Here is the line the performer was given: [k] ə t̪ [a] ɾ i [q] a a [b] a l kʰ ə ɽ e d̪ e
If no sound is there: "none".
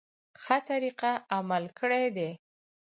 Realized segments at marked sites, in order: x, a, q, m

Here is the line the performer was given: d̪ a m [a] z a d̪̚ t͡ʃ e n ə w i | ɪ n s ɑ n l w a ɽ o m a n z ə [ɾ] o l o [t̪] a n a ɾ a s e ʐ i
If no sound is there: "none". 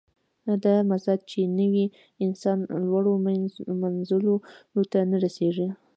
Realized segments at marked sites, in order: a, l, t̪

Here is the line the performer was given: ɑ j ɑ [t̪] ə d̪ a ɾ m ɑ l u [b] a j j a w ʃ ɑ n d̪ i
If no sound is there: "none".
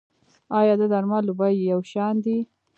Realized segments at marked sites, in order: d̪, b

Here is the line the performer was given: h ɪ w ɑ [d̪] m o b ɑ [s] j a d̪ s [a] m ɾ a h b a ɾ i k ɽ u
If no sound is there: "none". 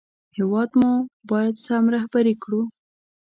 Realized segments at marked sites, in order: d̪, none, a

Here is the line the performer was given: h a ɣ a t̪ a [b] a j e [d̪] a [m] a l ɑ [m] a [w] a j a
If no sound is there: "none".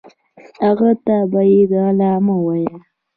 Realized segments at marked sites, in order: b, d̪, none, m, w

